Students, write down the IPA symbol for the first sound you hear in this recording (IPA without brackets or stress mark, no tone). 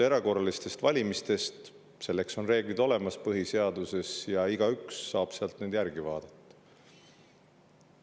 e̞